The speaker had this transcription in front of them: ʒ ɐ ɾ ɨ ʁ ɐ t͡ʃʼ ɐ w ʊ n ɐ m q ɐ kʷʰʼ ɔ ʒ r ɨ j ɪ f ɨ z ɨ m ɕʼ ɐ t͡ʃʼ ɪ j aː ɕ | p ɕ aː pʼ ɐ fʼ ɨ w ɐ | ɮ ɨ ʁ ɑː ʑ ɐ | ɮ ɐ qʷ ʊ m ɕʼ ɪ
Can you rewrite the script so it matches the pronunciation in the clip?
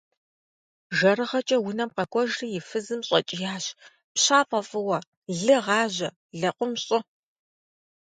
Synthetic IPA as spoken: ʒ ɐ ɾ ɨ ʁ ɐ t͡ʃʼ ɐ w ʊ n ɐ m q ɐ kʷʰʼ ɔ ʒ r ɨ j ɪ f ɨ z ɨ m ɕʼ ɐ t͡ʃʼ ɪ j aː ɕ | p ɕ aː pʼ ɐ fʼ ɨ w ɐ | ɮ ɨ ʁ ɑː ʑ ɐ | ɮ ɐ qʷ ʊ m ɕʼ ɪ

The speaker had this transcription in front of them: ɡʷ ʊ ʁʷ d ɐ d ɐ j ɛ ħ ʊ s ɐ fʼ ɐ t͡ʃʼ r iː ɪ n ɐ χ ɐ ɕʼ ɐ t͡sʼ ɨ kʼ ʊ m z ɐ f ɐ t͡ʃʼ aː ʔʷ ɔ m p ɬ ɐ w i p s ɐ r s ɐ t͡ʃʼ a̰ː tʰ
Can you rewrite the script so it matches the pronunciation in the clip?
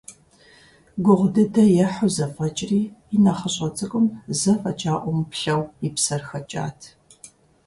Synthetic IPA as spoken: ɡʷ ʊ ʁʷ d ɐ d ɐ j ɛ ħ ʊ z ɐ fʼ ɐ t͡ʃʼ r iː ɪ n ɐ χ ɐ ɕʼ ɐ t͡sʼ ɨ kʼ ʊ m z ɐ f ɐ t͡ʃʼ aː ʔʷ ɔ m p ɬ ɐ w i p s ɐ r x ɐ t͡ʃʼ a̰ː tʰ

